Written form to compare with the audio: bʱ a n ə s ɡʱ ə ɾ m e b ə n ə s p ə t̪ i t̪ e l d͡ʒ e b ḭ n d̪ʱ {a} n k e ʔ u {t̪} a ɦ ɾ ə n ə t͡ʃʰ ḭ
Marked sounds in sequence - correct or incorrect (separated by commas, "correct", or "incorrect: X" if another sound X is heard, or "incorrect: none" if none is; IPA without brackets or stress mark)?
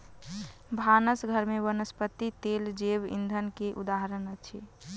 incorrect: ə, incorrect: d̪